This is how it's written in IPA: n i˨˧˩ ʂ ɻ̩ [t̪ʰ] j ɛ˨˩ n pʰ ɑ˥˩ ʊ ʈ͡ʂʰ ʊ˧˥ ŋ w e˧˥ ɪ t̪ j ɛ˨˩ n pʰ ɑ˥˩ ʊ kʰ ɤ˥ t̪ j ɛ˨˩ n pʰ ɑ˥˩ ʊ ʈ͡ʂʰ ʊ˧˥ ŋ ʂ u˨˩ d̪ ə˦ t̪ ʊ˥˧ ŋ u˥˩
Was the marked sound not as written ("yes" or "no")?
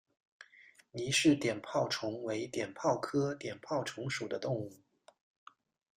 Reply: yes